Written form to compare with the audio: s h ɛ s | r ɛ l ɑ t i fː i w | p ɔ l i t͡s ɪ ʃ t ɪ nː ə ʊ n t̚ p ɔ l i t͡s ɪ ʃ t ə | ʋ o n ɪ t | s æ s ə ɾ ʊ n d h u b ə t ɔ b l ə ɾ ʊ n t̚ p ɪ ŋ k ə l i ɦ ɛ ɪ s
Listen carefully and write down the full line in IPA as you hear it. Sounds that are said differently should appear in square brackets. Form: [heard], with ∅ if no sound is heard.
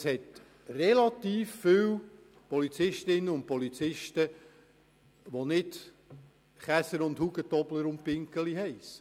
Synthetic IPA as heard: s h ɛ [t] | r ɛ l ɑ t [iː] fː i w | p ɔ l i t͡s ɪ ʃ t ɪ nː ə ʊ n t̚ p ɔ l i t͡s ɪ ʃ t ə | ʋ o n ɪ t | [χ] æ s ə ɾ ʊ n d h u [ɡ] ə t ɔ b l ə ɾ ʊ n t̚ p ɪ ŋ k ə l i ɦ ɛ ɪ s